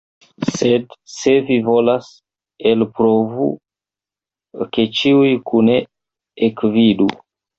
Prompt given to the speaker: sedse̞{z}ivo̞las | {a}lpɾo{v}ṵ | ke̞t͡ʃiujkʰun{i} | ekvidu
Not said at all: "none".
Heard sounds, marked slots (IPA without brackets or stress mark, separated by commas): v, e, v, e